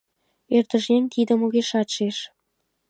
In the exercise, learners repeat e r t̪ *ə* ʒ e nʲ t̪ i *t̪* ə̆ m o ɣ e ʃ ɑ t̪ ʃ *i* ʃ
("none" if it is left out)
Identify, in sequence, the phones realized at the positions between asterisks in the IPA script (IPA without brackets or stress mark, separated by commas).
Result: ə, d̪, e